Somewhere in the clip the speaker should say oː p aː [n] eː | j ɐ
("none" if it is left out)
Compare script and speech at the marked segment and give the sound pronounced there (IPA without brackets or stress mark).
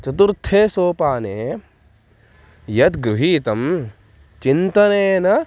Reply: n